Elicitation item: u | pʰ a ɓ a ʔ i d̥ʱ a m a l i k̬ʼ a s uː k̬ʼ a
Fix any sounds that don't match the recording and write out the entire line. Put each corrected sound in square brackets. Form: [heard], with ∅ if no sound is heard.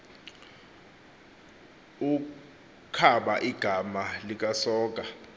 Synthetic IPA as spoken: u | [kʰ] a ɓ a ʔ i [ɡ̥ʱ] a m a l i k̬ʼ a s [ɔː] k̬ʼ a